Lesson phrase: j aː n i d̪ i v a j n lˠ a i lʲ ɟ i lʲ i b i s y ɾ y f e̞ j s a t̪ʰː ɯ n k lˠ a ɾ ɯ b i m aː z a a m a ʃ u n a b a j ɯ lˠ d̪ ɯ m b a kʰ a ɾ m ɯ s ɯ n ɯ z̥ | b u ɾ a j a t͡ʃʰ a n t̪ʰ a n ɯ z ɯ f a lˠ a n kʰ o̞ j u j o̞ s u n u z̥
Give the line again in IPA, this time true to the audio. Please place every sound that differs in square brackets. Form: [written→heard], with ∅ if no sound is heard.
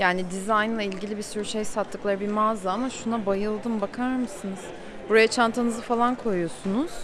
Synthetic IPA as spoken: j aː n i d̪ i [v→z] a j n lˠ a i lʲ ɟ i lʲ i b i s y ɾ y [f→ʃ] e̞ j s a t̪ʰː ɯ [n→∅] k lˠ a ɾ ɯ b i m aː z a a m a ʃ u n a b a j ɯ lˠ d̪ ɯ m b a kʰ a ɾ m ɯ s ɯ n ɯ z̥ | b u ɾ a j a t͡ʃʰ a n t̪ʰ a n ɯ z ɯ f a lˠ a n kʰ o̞ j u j o̞ s u n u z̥